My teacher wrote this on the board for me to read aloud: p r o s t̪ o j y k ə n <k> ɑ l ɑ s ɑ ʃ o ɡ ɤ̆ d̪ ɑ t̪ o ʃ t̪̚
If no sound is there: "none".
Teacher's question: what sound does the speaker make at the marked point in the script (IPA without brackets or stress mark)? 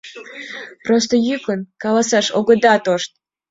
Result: k